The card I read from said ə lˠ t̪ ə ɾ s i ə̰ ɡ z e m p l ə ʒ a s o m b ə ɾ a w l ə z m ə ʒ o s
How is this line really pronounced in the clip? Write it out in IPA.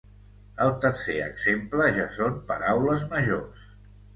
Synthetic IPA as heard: ə lˠ t̪ ə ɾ s e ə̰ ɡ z e m p l ə ʒ a s o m p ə ɾ a w l ə z m ə ʒ o s